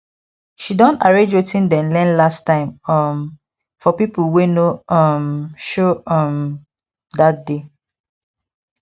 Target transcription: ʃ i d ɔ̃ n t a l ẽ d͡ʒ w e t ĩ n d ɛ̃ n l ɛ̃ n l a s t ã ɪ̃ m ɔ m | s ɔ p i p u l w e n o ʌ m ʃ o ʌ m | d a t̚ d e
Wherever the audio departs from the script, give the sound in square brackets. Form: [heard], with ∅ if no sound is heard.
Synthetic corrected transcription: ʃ i d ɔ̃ n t a [ɹ] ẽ d͡ʒ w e t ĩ n d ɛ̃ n l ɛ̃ n l a s t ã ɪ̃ m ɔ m | [f] ɔ p i p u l w e n o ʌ m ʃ o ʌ m | d a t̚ d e